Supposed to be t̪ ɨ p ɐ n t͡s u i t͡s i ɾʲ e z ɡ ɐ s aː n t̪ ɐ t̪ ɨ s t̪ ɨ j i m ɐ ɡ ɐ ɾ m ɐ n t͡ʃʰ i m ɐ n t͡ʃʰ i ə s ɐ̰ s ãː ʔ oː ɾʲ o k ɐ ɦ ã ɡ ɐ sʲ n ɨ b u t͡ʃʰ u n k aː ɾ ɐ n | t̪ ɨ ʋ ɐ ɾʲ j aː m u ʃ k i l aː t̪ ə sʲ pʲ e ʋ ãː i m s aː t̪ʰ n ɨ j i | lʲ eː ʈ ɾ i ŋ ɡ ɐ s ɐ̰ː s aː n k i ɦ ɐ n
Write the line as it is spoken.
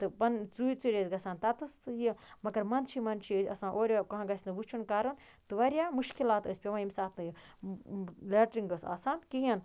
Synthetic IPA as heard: t̪ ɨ p ɐ n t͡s u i t͡s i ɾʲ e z ɡ ɐ s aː n t̪ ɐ t̪ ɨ s t̪ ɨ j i m ɐ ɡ ɐ ɾ m ɐ n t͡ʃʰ i m ɐ n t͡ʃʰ i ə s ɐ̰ s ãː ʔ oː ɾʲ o k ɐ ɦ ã ɡ ɐ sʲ n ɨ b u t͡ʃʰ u n k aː ɾ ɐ n | t̪ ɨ ʋ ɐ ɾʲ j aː m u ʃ k i l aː t̪ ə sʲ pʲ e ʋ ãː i m s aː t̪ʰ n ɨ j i | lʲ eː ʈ ɾ i ŋ ɡ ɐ s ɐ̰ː s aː n k i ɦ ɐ n